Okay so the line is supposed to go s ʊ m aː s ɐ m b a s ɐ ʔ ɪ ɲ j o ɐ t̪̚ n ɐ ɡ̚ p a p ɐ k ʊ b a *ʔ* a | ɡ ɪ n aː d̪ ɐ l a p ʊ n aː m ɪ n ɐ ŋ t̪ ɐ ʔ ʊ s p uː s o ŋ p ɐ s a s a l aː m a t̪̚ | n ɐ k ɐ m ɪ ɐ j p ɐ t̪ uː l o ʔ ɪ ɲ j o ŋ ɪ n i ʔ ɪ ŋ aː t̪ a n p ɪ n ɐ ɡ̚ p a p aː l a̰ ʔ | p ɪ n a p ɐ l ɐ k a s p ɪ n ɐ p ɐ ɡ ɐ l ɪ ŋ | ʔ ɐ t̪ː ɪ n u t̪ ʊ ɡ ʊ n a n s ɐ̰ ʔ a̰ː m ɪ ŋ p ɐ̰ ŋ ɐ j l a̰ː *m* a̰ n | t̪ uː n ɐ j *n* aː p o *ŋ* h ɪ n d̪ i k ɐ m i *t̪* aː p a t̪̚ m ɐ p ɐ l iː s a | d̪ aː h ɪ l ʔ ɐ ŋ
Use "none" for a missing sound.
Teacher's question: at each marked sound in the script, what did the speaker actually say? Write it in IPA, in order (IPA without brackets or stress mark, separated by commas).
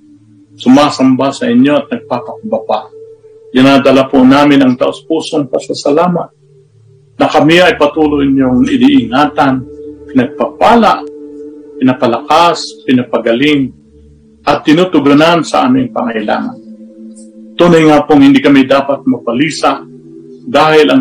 p, ŋ, ŋ, ŋ, d̪